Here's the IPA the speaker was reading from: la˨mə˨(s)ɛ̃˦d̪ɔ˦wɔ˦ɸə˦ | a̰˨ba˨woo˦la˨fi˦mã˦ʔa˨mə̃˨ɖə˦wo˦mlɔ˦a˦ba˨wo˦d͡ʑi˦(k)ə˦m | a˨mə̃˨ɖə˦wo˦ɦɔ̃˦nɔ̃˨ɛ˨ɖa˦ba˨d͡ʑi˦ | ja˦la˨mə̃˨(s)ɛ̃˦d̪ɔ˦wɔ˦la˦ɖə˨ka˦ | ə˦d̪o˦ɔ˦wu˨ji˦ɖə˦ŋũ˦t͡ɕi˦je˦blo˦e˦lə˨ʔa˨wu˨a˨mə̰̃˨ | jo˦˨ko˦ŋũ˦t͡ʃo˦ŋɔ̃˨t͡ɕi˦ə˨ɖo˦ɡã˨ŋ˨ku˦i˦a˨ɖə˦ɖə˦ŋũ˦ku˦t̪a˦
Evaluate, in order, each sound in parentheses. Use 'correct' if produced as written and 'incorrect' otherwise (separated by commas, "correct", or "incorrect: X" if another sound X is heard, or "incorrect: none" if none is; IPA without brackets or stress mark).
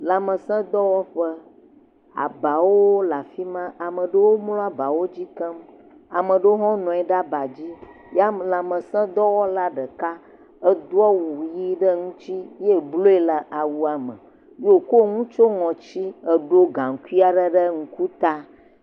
correct, correct, correct